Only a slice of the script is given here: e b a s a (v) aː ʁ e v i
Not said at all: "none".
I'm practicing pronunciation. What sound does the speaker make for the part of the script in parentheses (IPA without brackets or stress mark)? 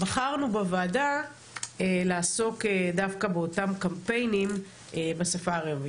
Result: f